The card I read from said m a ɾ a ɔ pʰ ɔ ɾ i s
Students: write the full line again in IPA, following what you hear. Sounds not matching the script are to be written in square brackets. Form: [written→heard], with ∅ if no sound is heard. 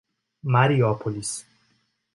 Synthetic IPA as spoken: m a ɾ [a→i] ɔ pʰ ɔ [ɾ→l] i s